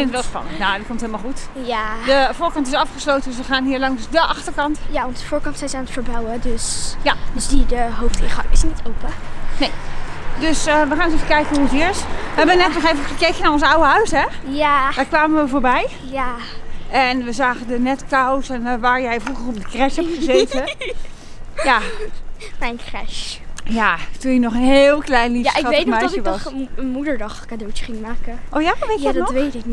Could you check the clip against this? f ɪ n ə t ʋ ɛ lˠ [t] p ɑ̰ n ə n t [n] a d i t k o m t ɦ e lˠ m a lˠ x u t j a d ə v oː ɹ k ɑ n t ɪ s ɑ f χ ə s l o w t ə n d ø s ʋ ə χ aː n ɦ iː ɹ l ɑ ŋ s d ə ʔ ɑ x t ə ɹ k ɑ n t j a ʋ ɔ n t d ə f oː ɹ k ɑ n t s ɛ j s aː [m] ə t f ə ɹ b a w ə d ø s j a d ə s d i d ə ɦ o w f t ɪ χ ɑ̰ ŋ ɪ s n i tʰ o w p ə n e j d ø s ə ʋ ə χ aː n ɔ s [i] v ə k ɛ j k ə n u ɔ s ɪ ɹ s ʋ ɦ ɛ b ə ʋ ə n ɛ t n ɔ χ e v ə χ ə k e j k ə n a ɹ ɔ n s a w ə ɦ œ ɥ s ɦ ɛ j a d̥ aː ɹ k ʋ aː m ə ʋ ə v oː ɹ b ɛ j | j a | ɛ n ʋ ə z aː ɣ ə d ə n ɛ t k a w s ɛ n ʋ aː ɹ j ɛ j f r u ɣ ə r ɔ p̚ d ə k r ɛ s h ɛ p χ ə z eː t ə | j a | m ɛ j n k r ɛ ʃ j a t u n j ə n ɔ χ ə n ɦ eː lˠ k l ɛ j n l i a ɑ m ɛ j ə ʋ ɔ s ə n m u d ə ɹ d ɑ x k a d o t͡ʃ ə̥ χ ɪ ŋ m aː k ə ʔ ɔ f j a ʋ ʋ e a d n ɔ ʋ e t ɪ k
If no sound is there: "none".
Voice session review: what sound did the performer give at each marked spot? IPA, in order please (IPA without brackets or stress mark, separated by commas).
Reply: s, n, n, e